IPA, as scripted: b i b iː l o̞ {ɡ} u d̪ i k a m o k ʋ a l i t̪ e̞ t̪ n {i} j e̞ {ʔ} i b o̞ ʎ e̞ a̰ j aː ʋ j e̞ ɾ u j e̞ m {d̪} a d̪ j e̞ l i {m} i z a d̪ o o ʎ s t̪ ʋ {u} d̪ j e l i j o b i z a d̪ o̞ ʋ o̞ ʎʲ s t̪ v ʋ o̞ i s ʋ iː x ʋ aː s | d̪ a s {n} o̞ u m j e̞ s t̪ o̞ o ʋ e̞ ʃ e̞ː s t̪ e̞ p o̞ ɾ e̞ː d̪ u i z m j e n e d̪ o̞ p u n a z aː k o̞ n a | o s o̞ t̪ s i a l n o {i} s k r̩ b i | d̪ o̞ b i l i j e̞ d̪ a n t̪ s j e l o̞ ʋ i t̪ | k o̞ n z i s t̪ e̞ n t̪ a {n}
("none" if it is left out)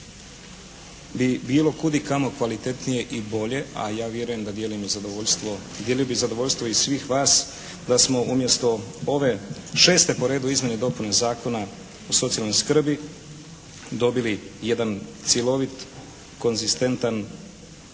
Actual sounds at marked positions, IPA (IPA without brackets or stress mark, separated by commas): k, i, ʔ, d̪, m, o, m, j, n